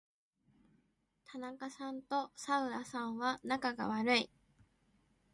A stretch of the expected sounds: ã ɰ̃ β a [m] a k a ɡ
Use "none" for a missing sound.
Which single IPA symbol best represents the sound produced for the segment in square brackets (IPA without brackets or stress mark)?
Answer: n